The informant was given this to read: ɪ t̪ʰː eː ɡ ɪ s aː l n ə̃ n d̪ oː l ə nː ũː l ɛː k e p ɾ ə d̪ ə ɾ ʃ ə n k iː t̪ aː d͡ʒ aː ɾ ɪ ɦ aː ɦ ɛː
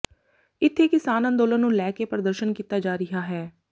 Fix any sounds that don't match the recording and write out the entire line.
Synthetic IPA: ɪ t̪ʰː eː k ɪ s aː n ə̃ n d̪ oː l ə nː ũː l ɛː k e p ɾ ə d̪ ə ɾ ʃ ə n k iː t̪ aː d͡ʒ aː ɾ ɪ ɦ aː ɦ ɛː